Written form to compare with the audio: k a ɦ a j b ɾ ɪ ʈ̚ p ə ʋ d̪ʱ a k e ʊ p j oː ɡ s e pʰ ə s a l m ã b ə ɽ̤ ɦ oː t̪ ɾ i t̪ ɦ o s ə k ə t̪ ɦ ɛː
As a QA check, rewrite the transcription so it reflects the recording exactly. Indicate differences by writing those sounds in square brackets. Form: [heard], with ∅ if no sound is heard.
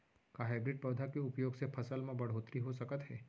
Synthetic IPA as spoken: k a ɦ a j b ɾ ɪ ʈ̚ p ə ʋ d̪ʱ a k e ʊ p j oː ɡ s e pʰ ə s [ə] l m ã b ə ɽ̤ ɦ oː t̪ ɾ i [∅] ɦ o s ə k ə t̪ ɦ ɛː